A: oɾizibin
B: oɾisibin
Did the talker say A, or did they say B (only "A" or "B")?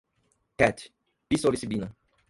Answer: B